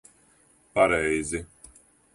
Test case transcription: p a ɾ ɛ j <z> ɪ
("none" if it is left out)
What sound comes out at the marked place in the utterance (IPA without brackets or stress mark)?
z